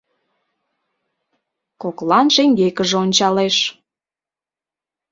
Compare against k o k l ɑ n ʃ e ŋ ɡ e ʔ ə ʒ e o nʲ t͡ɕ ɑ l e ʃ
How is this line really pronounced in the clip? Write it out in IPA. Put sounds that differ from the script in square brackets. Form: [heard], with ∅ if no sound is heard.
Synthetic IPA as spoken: k o k l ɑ n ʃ e ŋ ɡ e [k] ə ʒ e o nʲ t͡ɕ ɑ l e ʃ